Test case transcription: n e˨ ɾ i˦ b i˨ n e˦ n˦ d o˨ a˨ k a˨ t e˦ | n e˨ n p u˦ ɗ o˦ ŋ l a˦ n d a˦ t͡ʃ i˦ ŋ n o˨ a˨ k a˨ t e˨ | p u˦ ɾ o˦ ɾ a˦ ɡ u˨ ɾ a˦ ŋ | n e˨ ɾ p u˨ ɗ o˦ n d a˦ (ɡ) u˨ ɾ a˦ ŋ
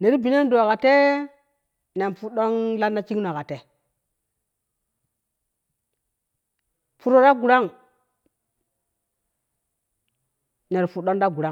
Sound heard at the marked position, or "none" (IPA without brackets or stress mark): ɡ